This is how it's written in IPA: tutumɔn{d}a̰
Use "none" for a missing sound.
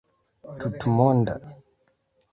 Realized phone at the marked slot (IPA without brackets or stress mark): d